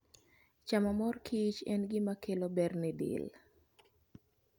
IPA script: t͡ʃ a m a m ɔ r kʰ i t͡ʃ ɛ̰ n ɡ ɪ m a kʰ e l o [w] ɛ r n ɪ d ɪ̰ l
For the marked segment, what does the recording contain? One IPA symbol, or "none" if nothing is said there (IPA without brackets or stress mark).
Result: b